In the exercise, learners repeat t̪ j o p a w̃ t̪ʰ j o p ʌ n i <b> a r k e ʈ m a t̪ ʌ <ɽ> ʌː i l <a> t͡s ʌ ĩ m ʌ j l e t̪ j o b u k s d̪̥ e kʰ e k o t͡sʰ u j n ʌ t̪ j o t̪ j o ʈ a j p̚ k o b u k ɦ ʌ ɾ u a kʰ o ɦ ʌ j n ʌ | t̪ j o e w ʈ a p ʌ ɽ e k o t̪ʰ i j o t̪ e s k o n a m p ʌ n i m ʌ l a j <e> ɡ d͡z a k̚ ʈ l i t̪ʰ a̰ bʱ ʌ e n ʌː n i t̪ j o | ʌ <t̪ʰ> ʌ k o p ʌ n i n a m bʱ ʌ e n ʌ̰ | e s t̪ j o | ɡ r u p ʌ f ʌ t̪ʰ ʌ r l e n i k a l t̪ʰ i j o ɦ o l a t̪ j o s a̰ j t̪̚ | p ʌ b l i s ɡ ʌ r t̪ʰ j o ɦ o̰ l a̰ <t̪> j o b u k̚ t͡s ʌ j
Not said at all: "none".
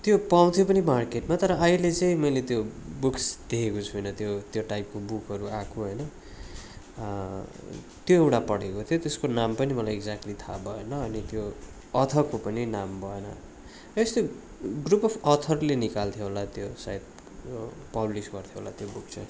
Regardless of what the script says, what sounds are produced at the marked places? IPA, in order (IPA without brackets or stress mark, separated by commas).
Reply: m, ɾ, e, e, t̪ʰ, t̪